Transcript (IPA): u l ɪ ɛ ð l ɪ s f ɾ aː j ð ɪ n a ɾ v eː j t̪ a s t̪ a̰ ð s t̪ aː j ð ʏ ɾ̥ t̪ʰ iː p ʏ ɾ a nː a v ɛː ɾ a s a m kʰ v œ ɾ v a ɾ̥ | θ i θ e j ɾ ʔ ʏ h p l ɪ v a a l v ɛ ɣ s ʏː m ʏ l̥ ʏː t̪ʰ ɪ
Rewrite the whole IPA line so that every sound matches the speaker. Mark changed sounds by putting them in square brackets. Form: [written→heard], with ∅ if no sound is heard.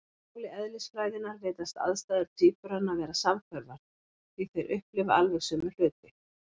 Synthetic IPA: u l ɪ ɛ ð l ɪ s f ɾ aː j ð ɪ n a ɾ v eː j t̪ a s t̪ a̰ ð s t̪ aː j ð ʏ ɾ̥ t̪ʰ iː p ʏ ɾ a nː a v ɛː ɾ a s a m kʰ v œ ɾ v a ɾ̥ | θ i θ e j ɾ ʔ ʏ h p l ɪ v a a l v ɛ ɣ s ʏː m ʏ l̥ ʏː [t̪ʰ→t̪] ɪ